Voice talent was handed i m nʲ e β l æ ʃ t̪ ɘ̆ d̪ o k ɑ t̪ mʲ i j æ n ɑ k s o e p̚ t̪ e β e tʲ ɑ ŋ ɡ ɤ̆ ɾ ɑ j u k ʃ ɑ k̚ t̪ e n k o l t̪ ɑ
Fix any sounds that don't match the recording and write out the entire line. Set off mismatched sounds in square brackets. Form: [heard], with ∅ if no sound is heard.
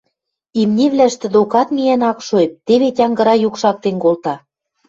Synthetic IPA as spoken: i m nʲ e β l æ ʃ t̪ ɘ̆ d̪ o k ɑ t̪ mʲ i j æ n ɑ k [ʃ] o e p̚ t̪ e β e tʲ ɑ ŋ ɡ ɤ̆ ɾ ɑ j u k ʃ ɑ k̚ t̪ e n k o l t̪ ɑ